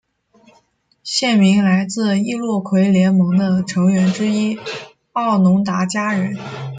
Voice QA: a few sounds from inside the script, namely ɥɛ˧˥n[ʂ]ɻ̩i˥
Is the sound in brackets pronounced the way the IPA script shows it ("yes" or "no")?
no